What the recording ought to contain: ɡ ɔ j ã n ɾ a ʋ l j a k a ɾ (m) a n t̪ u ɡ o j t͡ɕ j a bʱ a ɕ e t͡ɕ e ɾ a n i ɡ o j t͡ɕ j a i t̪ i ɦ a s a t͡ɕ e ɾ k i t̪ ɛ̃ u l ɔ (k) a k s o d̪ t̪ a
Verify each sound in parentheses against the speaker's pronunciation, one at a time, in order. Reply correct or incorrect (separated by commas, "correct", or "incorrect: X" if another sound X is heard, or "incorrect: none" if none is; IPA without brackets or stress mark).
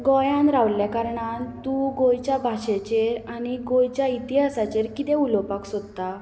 incorrect: ɳ, incorrect: p